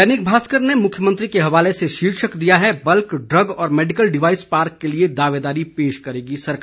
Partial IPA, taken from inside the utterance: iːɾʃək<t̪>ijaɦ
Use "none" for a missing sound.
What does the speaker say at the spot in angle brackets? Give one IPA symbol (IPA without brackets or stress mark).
d̪